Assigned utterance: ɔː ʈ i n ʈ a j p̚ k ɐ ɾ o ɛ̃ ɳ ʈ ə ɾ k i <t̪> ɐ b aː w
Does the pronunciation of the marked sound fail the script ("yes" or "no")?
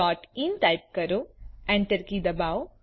yes